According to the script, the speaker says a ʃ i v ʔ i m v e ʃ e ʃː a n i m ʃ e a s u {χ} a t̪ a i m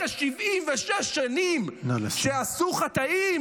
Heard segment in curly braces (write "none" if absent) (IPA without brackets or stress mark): χ